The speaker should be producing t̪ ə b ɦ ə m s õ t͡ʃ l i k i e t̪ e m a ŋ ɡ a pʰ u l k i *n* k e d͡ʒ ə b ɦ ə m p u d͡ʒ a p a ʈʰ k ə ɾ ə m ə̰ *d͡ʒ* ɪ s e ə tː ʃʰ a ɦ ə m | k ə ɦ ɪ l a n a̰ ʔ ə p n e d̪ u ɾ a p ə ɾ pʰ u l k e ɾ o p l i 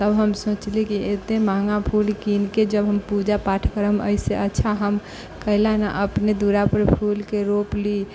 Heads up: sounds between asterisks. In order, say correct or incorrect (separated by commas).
correct, incorrect